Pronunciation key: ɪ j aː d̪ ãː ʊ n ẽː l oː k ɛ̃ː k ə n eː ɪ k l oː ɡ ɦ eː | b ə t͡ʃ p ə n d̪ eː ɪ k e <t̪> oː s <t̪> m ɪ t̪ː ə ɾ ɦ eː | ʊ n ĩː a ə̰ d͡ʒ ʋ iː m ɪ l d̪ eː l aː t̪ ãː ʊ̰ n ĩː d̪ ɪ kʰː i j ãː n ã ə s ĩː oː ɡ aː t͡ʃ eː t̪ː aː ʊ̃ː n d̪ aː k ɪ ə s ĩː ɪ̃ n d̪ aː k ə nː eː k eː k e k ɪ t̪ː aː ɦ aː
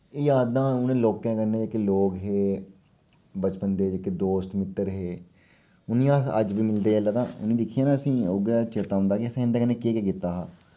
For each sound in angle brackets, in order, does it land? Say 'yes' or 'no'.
no, yes

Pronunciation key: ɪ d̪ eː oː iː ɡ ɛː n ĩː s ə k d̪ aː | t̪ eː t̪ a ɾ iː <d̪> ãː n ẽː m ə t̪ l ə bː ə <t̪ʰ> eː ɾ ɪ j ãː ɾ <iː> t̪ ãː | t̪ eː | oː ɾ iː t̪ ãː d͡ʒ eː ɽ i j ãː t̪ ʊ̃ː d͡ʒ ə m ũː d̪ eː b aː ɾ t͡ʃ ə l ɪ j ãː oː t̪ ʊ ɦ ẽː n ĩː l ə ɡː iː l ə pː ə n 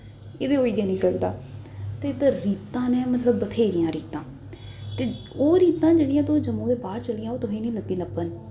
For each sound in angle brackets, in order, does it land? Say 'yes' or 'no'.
no, yes, yes

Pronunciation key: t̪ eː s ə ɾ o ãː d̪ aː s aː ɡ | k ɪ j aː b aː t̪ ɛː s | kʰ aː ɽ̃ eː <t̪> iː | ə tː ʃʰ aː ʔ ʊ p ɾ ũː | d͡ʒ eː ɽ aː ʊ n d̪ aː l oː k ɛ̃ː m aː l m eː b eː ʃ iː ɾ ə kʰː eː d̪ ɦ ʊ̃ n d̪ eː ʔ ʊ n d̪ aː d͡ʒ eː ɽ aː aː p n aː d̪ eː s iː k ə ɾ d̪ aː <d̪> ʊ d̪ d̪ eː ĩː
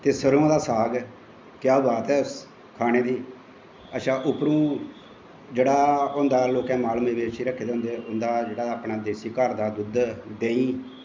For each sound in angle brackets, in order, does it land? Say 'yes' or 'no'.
no, yes

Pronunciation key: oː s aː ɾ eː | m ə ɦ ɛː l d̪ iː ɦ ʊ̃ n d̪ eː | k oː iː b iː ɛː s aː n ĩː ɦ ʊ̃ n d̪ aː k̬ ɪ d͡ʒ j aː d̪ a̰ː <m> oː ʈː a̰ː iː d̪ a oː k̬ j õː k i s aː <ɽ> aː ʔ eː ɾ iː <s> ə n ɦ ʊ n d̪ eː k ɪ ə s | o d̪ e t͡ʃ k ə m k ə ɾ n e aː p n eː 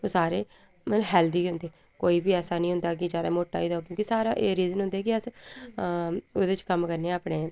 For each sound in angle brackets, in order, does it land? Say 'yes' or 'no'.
yes, no, no

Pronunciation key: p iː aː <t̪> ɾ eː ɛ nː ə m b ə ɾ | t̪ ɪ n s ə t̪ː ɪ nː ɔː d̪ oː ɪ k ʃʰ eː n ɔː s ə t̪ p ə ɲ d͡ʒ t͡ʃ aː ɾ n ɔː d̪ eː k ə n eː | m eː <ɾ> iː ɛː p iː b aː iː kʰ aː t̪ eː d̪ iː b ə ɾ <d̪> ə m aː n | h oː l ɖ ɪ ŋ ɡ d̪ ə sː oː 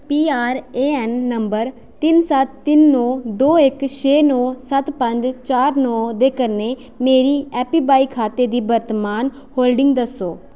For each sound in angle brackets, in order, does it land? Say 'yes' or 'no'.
no, yes, no

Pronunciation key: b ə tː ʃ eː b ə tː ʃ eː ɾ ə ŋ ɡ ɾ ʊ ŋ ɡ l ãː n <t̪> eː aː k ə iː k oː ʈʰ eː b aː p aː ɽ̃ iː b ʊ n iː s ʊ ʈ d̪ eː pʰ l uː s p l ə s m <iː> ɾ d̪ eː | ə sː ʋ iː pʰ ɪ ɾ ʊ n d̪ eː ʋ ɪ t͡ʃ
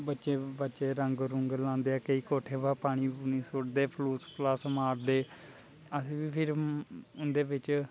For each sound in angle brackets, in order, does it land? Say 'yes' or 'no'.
no, no

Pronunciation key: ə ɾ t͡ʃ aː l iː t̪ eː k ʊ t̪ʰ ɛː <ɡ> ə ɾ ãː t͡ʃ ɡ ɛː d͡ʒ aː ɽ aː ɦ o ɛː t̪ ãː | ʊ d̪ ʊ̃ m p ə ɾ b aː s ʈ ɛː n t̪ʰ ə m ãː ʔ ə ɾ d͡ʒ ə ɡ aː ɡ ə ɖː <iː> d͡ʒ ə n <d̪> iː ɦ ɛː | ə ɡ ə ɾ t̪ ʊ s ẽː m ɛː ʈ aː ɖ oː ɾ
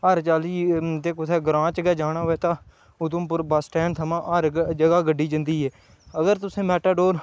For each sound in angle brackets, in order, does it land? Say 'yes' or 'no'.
yes, yes, yes

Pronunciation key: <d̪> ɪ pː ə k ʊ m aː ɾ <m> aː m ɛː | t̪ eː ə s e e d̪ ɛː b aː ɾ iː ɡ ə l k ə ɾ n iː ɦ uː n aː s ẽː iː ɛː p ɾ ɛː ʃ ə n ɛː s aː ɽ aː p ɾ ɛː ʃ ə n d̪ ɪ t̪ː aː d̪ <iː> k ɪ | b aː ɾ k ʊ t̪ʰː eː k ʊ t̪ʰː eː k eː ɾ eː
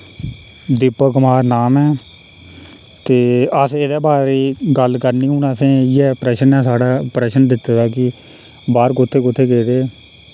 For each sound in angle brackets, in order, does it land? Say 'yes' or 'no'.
yes, no, no

